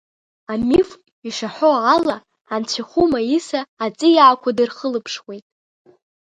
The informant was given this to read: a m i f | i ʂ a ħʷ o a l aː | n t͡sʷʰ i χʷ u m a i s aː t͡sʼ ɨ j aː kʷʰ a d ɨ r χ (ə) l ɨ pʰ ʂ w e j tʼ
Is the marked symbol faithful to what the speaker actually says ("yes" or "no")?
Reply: yes